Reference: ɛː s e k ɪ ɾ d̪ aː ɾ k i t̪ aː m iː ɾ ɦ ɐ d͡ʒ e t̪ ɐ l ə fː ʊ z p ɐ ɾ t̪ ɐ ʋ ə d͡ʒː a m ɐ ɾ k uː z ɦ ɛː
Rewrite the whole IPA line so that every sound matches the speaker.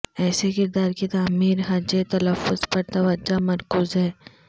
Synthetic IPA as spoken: ɛː s e k ɪ ɾ d̪ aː ɾ k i t̪ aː m iː ɾ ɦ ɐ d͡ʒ e t̪ ɐ l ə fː ʊ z p ɐ ɾ t̪ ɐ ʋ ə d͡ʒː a m ɐ ɾ k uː z ɦ ɛː